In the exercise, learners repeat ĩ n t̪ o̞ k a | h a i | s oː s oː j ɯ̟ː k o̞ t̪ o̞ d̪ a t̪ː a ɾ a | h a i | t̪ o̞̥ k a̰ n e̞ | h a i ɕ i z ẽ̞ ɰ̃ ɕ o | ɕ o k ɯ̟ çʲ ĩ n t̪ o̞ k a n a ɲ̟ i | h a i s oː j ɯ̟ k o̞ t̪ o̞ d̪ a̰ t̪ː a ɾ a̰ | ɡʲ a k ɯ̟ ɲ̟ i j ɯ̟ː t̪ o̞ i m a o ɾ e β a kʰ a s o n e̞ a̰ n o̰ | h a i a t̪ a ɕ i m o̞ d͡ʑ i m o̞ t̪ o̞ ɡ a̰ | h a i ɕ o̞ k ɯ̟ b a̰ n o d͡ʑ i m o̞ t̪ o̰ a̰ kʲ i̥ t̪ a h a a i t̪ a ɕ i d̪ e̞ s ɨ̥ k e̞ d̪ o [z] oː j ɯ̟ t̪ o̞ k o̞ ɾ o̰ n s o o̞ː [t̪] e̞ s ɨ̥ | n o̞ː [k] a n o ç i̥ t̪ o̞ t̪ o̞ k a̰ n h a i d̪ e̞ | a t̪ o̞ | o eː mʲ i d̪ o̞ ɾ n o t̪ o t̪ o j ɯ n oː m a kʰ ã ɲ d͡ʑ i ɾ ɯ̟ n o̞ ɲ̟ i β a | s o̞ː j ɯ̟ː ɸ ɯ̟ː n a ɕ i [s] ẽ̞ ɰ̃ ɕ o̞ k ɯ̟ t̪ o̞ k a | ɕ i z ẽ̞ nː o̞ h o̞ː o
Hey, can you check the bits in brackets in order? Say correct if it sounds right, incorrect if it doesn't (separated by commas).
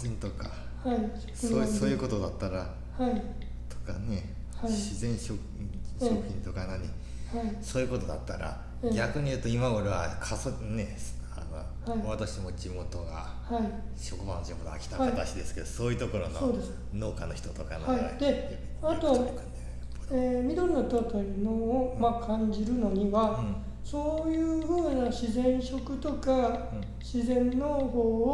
incorrect, incorrect, correct, incorrect